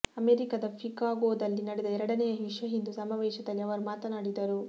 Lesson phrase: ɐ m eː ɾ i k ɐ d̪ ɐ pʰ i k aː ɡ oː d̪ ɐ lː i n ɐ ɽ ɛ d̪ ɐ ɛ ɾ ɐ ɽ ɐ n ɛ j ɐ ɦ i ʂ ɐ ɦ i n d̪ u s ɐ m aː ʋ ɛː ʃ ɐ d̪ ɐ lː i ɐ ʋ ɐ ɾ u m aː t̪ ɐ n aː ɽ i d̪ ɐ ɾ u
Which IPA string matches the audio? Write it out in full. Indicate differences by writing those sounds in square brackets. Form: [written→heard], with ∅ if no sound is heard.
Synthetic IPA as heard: ɐ m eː ɾ i k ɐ d̪ ɐ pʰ i k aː ɡ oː d̪ ɐ lː i n ɐ ɽ ɛ d̪ ɐ ɛ ɾ ɐ ɽ ɐ n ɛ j ɐ ɦ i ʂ ɐ ɦ i n d̪ u s ɐ m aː ʋ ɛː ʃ ɐ d̪ ɐ lː i ɐ ʋ ɐ ɾ u m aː t̪ ɐ n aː ɽ i d̪ ɐ ɾ u